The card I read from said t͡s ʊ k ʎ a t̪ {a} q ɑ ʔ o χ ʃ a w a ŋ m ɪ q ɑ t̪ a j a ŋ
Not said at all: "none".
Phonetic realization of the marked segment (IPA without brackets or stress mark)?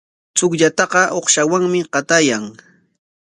ɑ